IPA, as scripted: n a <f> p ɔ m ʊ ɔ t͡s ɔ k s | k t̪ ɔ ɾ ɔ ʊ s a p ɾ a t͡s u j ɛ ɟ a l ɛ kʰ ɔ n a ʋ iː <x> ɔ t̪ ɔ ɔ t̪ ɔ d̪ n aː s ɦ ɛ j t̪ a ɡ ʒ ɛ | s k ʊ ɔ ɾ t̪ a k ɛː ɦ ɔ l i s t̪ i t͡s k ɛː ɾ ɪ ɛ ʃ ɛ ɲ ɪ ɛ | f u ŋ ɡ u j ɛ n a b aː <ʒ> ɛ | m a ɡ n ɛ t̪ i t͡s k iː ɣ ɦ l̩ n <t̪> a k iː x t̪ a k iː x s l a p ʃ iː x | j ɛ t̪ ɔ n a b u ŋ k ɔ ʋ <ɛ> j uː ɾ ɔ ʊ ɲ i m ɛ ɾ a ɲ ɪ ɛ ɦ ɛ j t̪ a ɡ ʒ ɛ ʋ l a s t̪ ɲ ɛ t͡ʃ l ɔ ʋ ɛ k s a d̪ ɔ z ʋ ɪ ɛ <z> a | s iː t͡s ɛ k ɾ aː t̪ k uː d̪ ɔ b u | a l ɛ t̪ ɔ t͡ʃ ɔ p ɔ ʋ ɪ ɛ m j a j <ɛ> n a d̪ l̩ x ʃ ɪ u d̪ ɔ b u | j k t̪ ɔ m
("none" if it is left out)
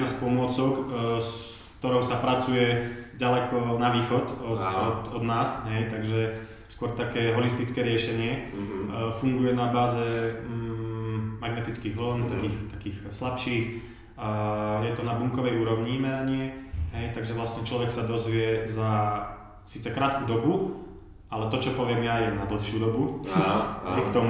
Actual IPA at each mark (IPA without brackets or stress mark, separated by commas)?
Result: s, x, z, t̪, ɛ, z, ɛ